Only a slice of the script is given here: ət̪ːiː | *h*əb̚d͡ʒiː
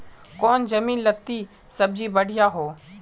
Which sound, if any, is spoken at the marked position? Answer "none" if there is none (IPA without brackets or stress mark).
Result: s